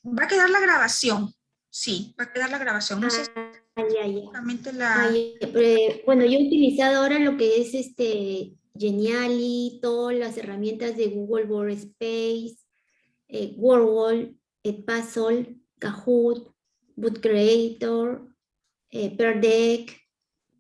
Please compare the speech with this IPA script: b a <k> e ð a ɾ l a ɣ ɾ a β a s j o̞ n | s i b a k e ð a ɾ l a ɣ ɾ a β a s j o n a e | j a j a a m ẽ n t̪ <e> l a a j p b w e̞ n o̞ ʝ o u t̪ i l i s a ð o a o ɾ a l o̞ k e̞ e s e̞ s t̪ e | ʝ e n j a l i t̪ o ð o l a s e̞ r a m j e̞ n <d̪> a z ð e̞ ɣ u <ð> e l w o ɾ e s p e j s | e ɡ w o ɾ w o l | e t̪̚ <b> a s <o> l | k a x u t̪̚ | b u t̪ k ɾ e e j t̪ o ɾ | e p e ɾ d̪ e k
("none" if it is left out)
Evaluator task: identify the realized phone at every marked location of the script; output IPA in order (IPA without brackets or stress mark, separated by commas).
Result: k, e, t̪, ɣ, p, o